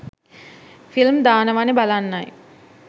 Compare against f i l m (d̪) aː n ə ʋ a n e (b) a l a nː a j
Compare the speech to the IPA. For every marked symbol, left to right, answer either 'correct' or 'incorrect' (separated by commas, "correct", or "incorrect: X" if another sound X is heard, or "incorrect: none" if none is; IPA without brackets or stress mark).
correct, correct